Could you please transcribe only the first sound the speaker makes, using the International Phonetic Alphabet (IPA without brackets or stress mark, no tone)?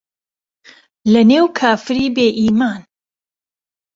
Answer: l